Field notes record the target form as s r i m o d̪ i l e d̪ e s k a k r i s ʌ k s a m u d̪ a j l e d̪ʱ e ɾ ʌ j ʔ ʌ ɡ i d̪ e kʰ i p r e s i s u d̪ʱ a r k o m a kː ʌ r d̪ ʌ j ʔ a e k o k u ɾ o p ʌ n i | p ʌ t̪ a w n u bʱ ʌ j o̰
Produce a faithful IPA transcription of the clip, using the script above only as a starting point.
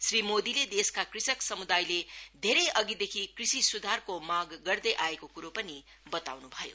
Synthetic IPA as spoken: s r i m o d̪ i l e d̪ e s k a k r i s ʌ k s ʌ m u d̪ a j l e d̪ʱ e ɾ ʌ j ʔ ʌ ɡ i d̪ e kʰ i k r i s i s u d̪ʱ a r k o m a ɡː ʌ r d̪ ʌ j ʔ a e k o k u ɾ o p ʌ n i | b ʌ t̪ a w n u bʱ ʌ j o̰